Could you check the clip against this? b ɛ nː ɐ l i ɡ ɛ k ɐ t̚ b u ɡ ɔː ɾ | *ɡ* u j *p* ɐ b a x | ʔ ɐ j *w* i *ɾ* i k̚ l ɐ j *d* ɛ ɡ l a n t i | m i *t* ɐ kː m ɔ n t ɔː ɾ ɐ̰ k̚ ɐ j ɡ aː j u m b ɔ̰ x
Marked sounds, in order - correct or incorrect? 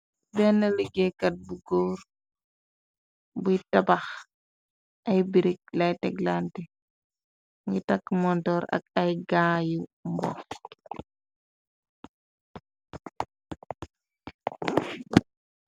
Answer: incorrect, incorrect, incorrect, correct, incorrect, correct

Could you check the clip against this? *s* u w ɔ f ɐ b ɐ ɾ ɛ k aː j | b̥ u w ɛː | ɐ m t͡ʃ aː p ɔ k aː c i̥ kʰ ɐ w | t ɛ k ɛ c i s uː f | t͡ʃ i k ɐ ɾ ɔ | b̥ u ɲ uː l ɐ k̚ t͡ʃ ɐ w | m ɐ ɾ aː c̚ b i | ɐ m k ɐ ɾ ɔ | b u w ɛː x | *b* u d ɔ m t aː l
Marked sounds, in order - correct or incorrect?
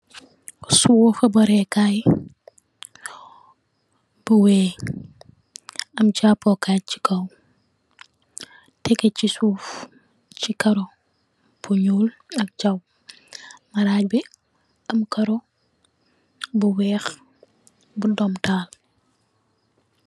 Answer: correct, correct

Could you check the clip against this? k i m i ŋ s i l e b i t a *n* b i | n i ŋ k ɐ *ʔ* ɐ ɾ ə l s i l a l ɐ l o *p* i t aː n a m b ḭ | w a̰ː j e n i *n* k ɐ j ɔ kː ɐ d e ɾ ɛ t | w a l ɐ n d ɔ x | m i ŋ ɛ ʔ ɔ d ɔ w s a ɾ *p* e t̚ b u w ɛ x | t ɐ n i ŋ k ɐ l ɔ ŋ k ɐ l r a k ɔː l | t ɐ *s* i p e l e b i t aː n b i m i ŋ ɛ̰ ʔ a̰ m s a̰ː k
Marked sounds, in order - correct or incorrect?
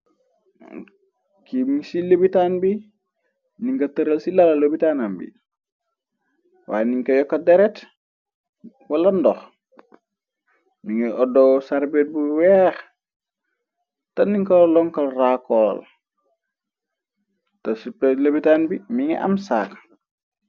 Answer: correct, incorrect, incorrect, incorrect, incorrect, correct

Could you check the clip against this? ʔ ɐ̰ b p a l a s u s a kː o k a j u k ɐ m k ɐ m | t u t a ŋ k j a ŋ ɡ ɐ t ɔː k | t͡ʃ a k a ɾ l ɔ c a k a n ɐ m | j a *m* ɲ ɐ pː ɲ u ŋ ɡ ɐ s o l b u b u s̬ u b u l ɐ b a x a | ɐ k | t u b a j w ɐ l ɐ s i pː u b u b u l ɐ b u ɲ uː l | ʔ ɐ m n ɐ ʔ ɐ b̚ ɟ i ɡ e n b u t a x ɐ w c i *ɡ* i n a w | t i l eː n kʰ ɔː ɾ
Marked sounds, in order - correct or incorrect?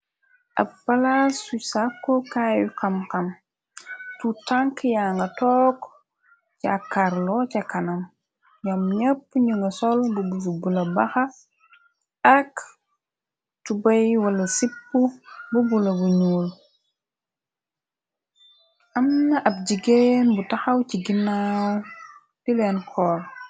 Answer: correct, correct

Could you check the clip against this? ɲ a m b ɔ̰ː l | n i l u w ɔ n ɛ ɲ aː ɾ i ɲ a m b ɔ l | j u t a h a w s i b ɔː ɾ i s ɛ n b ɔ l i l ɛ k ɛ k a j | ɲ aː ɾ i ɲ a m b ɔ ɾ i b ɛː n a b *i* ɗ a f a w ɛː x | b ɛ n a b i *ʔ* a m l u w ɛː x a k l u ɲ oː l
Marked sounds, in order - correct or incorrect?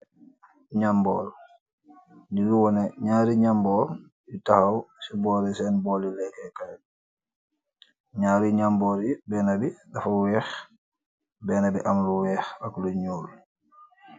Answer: correct, correct

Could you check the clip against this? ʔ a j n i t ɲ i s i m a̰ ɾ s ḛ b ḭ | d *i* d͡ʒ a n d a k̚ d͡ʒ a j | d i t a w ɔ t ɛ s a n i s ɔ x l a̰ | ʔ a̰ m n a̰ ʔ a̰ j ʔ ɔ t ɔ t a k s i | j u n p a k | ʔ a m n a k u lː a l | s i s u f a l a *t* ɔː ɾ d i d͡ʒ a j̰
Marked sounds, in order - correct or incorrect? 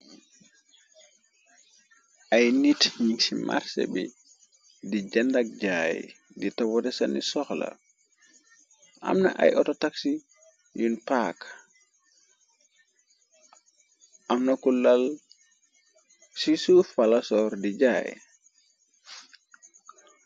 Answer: correct, incorrect

